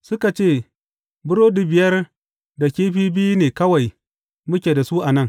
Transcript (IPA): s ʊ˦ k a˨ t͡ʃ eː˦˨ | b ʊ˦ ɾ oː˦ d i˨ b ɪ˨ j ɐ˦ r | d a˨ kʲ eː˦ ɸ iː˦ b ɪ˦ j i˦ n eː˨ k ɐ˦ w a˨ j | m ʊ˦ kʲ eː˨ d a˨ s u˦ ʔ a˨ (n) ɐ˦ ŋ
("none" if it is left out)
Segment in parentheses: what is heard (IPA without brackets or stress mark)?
n